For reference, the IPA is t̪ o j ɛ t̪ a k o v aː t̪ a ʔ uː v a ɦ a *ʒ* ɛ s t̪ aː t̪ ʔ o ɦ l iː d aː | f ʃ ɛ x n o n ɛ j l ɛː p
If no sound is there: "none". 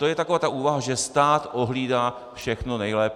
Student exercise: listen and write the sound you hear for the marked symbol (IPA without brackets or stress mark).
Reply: ʒ